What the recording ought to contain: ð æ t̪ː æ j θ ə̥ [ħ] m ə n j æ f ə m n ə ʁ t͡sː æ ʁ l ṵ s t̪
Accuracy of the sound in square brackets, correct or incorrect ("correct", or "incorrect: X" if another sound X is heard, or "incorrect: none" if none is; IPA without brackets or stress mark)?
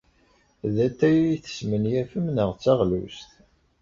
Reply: incorrect: s